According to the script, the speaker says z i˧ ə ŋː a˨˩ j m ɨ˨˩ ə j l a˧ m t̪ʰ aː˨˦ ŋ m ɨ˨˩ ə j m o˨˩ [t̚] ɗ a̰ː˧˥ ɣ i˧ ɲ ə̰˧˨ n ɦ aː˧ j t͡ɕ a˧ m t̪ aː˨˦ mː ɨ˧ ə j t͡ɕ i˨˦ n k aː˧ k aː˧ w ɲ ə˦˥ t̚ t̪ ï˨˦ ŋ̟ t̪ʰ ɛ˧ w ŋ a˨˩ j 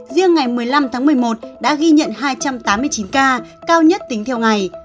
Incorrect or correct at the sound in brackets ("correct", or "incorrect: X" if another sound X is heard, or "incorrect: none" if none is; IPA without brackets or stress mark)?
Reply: correct